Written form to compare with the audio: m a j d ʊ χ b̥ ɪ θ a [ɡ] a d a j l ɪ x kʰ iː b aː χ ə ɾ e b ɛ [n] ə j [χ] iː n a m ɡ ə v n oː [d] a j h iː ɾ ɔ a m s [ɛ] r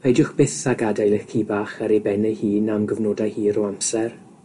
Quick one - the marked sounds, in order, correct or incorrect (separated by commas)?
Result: correct, correct, incorrect, correct, correct